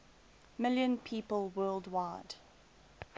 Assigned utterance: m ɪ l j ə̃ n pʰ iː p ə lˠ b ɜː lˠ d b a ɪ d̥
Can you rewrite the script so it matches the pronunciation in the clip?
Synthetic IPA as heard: m ɪ l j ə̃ n pʰ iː p ə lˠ w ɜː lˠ d w a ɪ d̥